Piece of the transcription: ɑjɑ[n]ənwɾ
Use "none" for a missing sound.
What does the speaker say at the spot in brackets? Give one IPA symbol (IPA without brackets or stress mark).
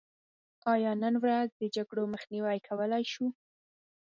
n